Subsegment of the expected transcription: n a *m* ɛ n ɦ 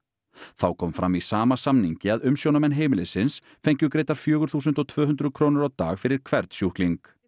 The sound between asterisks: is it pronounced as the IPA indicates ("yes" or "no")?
yes